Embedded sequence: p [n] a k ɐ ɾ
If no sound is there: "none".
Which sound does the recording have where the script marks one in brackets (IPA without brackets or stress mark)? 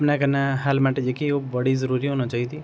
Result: n